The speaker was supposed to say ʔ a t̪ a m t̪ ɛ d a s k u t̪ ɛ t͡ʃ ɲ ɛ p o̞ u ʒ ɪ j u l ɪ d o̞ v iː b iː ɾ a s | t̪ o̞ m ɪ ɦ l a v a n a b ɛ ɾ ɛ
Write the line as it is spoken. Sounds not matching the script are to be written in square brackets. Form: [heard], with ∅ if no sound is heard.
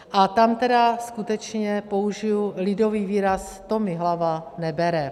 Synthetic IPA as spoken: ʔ a t̪ a m t̪ ɛ d a s k u t̪ ɛ t͡ʃ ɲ ɛ p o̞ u ʒ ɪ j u l ɪ d o̞ v iː [v] iː ɾ a s | t̪ o̞ m ɪ ɦ l a v a n [ɛ] b ɛ ɾ ɛ